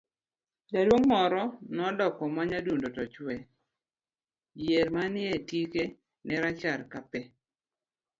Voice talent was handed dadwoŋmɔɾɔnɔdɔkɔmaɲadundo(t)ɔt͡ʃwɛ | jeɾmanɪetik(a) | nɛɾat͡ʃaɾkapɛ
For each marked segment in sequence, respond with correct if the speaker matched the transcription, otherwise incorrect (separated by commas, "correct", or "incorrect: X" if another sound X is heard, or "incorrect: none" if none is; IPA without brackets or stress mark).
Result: correct, incorrect: e